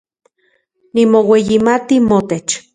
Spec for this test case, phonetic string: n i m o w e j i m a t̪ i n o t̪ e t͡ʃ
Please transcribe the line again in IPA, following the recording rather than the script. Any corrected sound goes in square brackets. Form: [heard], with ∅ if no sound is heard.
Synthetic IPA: n i m o w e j i m a t̪ i [m] o t̪ e t͡ʃ